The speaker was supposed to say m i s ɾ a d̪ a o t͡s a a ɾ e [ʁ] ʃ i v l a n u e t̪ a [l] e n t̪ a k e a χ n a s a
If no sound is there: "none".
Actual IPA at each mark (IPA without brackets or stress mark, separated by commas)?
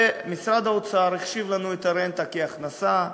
χ, ɾ